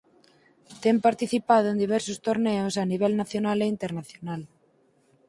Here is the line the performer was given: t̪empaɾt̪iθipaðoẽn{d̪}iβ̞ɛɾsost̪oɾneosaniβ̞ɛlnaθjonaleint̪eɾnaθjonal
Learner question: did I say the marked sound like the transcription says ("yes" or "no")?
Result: yes